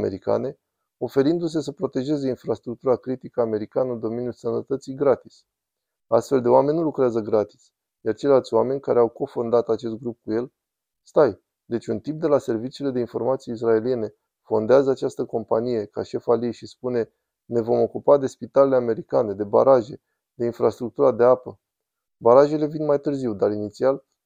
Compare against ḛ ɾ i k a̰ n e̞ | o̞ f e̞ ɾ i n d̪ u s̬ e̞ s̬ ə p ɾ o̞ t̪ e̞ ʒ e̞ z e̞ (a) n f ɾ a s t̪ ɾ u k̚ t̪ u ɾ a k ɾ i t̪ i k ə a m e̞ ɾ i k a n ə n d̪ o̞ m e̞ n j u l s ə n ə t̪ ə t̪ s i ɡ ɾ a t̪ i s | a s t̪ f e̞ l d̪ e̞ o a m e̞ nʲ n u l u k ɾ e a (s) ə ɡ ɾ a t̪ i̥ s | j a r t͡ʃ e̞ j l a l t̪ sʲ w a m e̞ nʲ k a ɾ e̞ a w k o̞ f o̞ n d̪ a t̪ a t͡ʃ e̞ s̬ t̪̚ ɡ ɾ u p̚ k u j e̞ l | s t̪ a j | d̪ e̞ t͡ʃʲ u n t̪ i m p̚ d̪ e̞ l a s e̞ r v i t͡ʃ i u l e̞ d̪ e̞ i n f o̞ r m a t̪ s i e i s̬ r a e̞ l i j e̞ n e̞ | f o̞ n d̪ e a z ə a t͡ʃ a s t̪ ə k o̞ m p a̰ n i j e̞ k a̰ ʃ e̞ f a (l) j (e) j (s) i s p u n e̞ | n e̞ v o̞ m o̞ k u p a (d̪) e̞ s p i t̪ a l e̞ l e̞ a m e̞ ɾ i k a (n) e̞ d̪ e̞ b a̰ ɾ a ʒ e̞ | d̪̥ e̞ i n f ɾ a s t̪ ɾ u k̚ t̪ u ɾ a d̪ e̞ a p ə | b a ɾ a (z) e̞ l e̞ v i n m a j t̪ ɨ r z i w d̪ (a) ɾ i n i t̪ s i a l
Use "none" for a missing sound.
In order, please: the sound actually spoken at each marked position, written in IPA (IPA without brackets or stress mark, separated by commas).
i, z, l, e, ʃ, d̪, n, ʒ, a